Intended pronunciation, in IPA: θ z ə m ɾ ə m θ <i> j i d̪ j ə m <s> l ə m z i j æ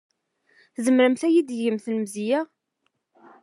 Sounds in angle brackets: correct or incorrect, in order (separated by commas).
incorrect, incorrect